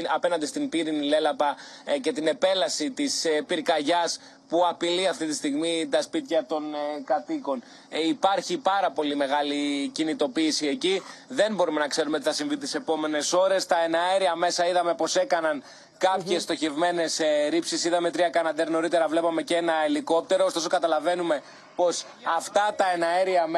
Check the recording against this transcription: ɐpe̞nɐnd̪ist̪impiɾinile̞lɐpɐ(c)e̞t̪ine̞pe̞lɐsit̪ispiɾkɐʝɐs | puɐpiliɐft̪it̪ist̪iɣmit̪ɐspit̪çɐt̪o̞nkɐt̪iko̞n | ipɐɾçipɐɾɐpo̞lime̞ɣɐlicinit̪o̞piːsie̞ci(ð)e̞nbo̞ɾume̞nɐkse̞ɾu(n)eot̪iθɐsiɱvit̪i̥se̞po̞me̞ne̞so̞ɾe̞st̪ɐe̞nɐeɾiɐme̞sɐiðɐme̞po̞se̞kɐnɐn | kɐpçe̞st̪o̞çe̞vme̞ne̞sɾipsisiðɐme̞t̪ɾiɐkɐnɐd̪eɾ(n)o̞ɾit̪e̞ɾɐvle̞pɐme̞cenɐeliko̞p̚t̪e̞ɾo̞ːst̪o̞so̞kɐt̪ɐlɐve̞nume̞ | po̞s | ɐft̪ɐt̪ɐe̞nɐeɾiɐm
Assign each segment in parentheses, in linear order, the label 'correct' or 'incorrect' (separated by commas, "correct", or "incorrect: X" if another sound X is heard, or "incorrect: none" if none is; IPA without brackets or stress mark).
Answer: correct, correct, incorrect: m, correct